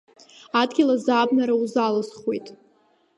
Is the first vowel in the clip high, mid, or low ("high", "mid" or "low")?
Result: low